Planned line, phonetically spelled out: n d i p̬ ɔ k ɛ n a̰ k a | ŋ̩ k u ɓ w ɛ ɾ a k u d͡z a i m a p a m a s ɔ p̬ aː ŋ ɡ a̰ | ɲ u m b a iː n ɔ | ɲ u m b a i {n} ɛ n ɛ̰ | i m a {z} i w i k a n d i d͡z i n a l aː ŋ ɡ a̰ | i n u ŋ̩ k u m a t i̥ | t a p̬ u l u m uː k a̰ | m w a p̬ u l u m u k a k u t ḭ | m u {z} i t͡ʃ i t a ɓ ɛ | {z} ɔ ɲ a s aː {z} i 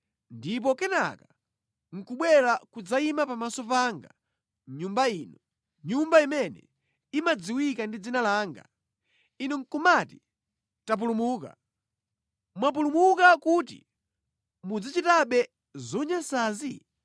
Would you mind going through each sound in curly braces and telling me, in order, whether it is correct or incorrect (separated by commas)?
incorrect, incorrect, incorrect, correct, correct